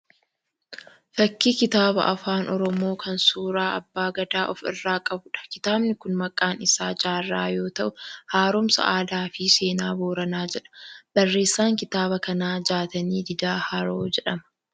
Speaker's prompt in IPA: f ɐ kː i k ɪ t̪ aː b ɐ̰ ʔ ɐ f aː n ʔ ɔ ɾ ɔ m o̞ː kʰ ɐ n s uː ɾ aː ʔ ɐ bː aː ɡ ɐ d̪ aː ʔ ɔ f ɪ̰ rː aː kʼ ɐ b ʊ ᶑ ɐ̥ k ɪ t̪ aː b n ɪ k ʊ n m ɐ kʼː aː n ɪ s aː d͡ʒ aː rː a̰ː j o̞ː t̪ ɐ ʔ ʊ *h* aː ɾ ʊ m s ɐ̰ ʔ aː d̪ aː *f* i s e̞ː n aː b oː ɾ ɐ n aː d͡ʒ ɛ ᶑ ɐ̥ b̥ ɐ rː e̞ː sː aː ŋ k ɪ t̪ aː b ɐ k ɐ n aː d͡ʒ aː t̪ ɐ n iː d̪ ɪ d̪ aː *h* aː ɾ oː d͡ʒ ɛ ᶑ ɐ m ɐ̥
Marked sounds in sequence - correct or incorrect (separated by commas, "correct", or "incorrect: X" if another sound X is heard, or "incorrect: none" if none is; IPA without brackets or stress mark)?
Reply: correct, correct, correct